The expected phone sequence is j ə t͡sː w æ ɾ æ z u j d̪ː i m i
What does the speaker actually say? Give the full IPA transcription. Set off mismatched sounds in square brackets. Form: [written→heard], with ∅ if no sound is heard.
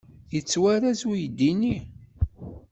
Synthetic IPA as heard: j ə t͡sː w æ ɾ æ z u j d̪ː i [m→n] i

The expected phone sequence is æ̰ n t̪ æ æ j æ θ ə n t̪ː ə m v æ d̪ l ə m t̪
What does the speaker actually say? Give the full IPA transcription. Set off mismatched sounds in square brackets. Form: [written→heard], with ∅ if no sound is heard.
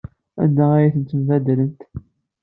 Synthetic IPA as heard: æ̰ n [t̪→d̪] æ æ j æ θ ə n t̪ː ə m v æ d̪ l ə [m→n] t̪

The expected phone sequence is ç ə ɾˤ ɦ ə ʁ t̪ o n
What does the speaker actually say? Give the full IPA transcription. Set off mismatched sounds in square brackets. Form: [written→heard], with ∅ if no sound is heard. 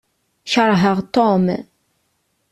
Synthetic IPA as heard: ç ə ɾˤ ɦ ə ʁ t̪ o [n→m]

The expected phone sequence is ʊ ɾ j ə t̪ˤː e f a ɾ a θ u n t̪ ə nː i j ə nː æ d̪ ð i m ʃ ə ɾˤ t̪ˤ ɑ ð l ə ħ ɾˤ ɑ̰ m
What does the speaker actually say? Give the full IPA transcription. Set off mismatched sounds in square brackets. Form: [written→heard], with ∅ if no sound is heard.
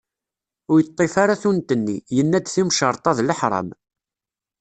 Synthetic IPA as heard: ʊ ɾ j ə t̪ˤː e f a ɾ a θ u n t̪ ə nː i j ə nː æ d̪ [ð→θ] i m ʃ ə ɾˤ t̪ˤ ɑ ð l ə ħ ɾˤ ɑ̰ m

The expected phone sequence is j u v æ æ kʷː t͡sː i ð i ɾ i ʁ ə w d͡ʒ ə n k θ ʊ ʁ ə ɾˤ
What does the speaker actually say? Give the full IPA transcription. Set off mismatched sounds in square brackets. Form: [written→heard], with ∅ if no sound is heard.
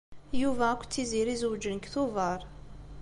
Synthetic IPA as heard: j u v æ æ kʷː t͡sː i [ð→z] i ɾ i [ʁ→z] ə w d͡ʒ ə n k θ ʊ [ʁ→v] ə ɾˤ

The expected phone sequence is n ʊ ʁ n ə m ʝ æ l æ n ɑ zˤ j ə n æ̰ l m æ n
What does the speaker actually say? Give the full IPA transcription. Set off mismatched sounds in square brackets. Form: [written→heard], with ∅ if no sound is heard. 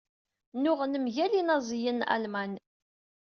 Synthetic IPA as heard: n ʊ ʁ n ə m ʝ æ l [æ→i] n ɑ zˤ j ə n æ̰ l m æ n

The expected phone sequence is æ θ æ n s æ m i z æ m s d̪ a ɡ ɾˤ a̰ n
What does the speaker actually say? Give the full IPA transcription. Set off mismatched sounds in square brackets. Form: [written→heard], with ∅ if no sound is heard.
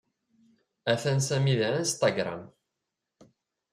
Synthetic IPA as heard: æ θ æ n s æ m i [z→ð] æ [m→n] s [d̪→t̪] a ɡ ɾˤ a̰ [n→m]

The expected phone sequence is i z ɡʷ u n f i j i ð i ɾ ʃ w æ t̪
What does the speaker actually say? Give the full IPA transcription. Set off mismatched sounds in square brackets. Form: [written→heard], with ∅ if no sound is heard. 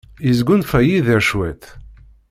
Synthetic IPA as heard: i z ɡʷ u n f [i→æ] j i ð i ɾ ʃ w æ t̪

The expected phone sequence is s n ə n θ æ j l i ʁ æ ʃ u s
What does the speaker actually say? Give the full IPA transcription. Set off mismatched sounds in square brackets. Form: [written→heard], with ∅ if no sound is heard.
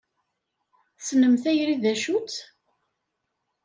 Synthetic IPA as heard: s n ə [n→m] θ æ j [l→ɾ] i [ʁ→ð] æ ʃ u [s→t͡s]

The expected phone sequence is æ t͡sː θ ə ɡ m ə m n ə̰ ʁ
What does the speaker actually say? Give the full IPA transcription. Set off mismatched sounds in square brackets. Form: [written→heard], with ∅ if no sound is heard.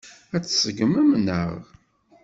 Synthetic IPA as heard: æ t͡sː [θ→s] ə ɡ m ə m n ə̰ ʁ

